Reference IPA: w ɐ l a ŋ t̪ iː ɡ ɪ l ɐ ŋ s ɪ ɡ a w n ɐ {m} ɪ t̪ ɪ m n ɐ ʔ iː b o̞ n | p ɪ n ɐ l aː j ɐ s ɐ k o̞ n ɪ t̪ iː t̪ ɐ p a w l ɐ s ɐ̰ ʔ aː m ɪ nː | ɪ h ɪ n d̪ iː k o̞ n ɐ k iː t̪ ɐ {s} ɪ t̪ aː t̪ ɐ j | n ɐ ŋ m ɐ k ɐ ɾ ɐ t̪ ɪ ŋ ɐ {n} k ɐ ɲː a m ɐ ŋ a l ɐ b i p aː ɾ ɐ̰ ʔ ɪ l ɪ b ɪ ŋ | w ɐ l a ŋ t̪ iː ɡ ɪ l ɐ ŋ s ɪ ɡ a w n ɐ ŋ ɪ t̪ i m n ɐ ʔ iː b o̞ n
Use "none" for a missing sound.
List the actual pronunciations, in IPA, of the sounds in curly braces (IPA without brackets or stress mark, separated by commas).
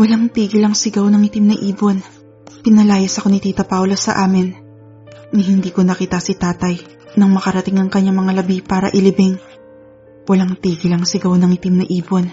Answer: ŋ, s, ŋ